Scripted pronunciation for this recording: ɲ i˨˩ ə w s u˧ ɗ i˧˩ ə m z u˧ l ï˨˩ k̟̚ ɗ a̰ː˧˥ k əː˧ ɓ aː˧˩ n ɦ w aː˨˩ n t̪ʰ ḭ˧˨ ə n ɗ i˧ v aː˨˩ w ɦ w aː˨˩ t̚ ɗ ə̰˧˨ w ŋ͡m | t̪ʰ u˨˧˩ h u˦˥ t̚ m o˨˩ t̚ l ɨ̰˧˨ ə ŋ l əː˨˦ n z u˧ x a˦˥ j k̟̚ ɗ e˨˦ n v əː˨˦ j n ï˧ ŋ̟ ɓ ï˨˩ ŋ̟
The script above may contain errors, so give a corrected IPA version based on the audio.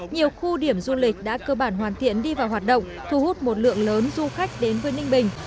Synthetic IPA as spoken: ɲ i˨˩ ə w x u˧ ɗ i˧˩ ə m z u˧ l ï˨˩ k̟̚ ɗ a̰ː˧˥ k əː˧ ɓ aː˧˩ n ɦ w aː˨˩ n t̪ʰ ḭ˧˨ ə n ɗ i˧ v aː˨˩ w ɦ w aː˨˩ t̚ ɗ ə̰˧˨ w ŋ͡m | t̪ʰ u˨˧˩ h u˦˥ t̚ m o˨˩ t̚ l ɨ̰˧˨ ə ŋ l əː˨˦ n z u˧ x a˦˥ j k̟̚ ɗ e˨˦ n v əː˨˦ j n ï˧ ŋ̟ ɓ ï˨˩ ŋ̟